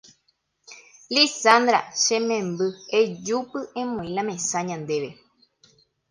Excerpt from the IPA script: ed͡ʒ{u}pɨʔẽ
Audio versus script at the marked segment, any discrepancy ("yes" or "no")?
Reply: no